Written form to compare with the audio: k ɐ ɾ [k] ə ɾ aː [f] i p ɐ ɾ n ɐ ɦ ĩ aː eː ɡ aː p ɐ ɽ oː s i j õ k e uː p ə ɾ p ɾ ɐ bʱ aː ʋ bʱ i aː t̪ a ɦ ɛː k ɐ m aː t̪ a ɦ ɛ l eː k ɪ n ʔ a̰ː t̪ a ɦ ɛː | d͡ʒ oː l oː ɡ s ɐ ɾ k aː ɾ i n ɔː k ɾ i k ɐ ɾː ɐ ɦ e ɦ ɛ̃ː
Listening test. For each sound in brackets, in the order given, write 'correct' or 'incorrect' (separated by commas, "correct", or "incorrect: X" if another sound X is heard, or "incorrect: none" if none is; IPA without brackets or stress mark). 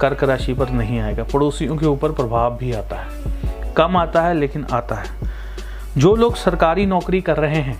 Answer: correct, incorrect: ʃ